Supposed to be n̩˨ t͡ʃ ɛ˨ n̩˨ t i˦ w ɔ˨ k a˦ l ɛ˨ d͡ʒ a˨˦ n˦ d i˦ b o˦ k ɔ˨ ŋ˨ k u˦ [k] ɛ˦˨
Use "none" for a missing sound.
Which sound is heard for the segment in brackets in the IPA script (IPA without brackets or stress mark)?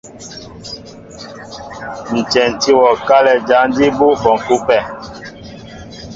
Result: p